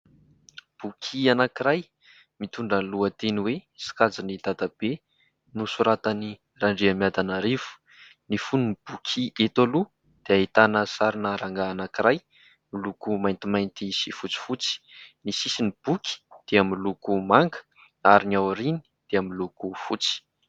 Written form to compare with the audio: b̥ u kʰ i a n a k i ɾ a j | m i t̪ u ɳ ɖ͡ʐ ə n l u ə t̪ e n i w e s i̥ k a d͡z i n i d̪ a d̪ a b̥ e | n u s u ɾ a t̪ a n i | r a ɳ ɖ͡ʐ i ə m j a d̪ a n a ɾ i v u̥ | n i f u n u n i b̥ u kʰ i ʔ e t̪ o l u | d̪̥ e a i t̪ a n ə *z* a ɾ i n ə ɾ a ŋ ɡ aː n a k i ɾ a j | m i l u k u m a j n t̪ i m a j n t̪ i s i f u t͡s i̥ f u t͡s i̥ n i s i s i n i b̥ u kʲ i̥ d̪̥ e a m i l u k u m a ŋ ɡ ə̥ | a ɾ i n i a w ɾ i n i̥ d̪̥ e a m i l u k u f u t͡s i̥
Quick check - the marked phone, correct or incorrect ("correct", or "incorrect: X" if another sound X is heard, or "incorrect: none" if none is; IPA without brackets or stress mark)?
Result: incorrect: s